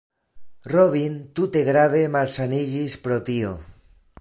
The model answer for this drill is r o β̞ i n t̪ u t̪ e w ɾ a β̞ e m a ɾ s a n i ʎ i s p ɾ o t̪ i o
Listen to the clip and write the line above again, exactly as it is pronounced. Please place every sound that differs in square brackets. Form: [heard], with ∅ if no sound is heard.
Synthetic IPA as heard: r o β̞ i n t̪ u t̪ e [ɣ] ɾ a β̞ e m a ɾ s a n i ʎ i s p ɾ o t̪ i o